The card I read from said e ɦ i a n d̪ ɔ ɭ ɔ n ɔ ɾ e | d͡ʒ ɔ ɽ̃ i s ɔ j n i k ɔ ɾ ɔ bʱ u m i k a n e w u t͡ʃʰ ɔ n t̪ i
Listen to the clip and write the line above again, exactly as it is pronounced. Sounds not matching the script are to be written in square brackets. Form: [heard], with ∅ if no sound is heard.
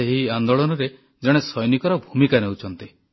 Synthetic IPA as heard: e ɦ i a n d̪ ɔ ɭ ɔ n ɔ ɾ e | d͡ʒ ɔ ɽ̃ [e] s ɔ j n i k ɔ ɾ ɔ bʱ u m i k a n e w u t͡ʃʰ ɔ n t̪ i